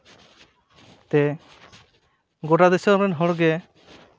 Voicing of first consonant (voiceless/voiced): voiceless